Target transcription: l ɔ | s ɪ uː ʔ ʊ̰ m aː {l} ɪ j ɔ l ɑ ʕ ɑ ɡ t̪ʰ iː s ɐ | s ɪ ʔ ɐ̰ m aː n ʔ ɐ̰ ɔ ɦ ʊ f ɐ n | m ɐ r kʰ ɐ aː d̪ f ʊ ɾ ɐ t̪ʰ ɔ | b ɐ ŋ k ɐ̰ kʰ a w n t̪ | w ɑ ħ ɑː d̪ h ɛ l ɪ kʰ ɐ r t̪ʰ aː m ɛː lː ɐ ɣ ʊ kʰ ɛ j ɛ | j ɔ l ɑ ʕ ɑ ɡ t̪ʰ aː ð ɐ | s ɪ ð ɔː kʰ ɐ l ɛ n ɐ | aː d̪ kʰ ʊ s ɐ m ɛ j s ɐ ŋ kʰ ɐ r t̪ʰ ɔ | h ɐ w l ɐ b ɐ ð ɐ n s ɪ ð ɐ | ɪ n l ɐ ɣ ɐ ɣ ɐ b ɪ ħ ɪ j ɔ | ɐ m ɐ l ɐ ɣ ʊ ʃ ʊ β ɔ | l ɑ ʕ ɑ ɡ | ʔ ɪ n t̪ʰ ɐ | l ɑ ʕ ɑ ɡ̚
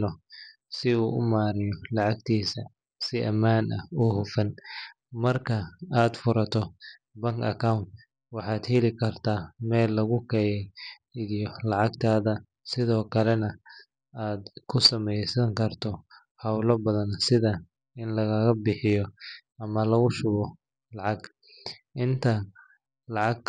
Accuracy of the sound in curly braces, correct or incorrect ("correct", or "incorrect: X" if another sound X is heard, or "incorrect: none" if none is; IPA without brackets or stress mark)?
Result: incorrect: ɾ